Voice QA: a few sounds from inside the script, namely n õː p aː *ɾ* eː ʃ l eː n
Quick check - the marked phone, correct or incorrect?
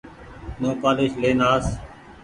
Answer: incorrect